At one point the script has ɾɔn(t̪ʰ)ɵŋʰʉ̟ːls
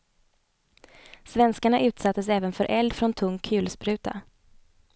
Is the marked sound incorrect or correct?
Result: correct